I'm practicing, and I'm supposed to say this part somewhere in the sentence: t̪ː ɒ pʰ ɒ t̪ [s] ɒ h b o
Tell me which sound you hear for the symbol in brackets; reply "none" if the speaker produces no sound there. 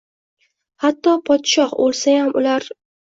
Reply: ʃ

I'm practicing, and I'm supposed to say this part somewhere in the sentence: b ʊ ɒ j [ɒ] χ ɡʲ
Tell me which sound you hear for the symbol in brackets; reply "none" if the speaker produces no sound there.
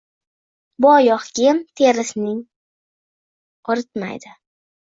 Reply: ɒ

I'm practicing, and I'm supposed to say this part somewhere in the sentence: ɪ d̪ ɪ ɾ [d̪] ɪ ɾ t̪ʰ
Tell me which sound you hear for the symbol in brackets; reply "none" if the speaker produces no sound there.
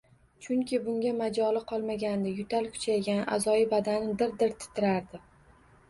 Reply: d̪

